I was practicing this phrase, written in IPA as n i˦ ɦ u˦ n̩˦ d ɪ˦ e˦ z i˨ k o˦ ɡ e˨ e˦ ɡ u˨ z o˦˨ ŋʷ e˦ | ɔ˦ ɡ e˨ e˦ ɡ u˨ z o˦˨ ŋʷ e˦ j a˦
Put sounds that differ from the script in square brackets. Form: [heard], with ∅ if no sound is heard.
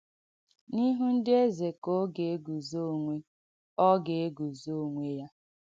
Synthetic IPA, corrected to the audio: n i˦ ɦ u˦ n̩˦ d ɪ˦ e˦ z [e˨] k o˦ ɡ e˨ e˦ ɡ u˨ z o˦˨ ŋʷ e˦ | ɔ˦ ɡ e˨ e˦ ɡ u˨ z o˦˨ ŋʷ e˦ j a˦